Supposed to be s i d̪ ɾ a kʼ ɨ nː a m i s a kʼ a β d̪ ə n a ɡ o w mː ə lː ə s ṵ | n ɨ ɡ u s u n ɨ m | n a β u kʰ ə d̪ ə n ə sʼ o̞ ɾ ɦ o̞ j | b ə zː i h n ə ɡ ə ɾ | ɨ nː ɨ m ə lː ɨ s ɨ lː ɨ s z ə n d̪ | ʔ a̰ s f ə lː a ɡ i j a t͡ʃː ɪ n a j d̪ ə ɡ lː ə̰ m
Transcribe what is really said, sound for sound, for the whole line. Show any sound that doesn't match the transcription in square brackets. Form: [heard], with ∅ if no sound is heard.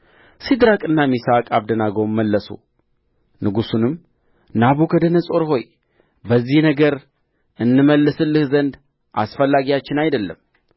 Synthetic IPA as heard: s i d̪ ɾ a kʼ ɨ nː a m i s a kʼ a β d̪ ə n a ɡ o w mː ə lː ə s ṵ | n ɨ ɡ u s u n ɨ m | n a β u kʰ ə d̪ ə n ə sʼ o̞ ɾ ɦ o̞ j | b ə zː i h n ə ɡ ə ɾ | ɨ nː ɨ m ə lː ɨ s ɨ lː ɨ [h] z ə n d̪ | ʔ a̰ s f ə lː a ɡ i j a t͡ʃː ɪ n a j d̪ ə [∅] lː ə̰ m